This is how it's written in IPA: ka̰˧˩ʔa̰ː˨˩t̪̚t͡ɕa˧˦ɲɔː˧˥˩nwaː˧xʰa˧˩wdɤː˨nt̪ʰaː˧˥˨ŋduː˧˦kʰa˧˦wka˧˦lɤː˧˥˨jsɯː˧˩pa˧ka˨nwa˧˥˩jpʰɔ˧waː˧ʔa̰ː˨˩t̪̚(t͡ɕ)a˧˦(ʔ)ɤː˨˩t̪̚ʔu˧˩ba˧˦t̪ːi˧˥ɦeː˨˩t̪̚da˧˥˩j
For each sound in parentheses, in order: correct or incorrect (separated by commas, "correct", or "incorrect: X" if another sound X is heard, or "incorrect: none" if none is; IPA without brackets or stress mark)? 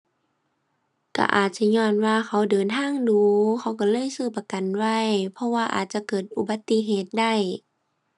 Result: correct, incorrect: k